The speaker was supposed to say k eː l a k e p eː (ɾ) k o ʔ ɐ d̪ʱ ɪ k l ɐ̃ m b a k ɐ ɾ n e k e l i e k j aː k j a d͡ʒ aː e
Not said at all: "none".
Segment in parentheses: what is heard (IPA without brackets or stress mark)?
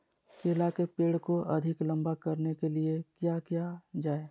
ɽ